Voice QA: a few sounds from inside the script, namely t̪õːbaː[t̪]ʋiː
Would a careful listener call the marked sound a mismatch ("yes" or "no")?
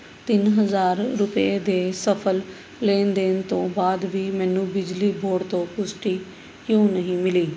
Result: yes